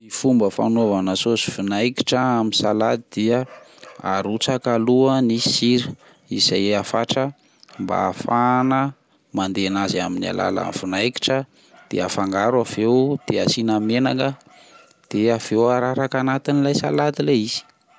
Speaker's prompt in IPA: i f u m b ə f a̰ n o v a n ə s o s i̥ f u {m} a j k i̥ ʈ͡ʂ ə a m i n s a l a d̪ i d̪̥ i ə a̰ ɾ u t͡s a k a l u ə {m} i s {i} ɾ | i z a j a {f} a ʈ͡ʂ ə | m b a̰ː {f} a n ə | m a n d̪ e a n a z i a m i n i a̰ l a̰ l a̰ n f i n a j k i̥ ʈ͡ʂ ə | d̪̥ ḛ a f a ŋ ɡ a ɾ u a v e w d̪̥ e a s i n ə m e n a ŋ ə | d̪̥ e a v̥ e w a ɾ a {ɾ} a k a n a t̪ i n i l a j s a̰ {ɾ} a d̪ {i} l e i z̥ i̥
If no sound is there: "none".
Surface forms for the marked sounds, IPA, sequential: n, n, i, f, f, ɾ, l, i

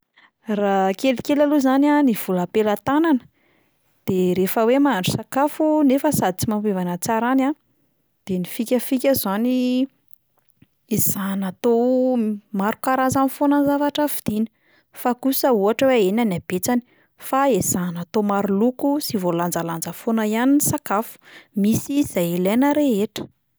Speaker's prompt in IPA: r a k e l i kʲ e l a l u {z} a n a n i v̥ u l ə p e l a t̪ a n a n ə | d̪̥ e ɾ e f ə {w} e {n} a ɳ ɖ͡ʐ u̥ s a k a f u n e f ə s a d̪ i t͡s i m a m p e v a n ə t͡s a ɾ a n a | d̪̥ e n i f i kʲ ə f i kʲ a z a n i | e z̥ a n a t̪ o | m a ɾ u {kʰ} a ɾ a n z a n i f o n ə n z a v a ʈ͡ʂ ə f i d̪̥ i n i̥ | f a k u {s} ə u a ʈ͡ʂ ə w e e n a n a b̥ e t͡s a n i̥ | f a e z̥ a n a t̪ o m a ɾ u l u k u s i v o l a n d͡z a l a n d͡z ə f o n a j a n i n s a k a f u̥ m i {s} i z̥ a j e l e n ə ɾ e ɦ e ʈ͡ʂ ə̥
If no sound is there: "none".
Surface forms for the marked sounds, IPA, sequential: z, w, m, k, s, s

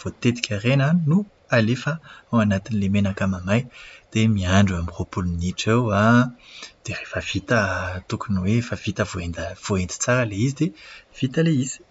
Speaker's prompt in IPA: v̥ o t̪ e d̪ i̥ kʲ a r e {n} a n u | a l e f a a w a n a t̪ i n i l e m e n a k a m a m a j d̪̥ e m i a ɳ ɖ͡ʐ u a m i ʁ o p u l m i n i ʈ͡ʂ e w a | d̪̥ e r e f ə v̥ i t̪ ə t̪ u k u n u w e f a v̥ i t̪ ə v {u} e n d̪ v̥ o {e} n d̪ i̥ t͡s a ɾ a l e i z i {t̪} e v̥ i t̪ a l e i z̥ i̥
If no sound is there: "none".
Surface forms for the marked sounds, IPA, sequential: n, o, e, d̪

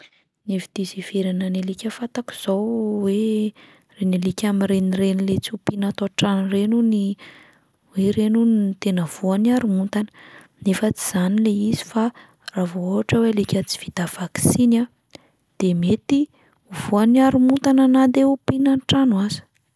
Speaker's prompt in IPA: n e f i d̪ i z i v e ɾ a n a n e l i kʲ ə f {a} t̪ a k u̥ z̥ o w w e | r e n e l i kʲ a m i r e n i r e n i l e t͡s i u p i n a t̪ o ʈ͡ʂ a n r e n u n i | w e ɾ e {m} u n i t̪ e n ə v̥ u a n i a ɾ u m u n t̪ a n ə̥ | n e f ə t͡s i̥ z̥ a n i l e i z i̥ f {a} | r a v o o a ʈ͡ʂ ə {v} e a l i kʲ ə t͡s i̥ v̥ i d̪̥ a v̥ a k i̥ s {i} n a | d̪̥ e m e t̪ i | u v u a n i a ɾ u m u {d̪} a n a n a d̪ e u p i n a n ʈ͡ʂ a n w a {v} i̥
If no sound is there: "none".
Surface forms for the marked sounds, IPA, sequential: a, n, a, w, i, t̪, z

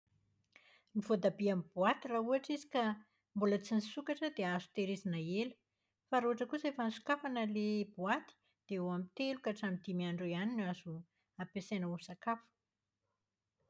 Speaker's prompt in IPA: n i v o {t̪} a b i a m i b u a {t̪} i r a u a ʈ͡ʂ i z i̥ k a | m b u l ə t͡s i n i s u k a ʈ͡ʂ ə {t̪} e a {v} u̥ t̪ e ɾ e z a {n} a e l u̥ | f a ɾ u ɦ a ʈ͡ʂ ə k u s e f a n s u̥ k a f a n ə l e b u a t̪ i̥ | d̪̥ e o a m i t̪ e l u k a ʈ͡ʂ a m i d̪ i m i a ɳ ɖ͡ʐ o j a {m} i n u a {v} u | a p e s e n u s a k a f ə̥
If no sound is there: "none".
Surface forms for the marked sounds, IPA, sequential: d̪, t̪, d̪, z, n, n, z

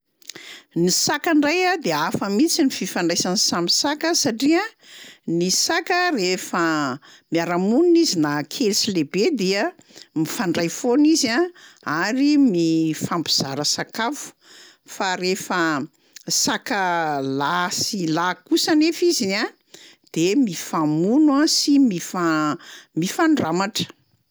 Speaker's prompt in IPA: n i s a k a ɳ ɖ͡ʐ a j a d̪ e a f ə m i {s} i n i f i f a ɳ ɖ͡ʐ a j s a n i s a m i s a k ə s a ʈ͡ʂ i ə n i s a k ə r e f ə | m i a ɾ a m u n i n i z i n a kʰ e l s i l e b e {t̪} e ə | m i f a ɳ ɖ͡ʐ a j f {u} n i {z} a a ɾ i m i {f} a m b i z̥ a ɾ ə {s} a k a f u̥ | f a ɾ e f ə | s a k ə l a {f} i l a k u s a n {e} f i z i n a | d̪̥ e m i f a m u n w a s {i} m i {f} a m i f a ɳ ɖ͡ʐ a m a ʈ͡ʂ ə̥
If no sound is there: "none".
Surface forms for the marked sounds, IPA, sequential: t͡s, d̪, o, z, f, s, s, e, i, f

